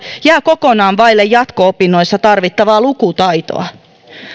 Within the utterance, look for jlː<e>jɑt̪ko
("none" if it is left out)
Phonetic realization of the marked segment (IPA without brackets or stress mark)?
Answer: e